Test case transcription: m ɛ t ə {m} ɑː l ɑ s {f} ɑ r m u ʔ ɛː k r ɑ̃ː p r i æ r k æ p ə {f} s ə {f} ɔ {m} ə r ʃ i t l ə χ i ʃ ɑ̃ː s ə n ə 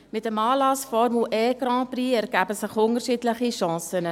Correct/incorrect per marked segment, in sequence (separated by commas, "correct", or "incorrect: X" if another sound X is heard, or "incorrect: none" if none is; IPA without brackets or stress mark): correct, correct, incorrect: none, incorrect: χ, incorrect: ŋ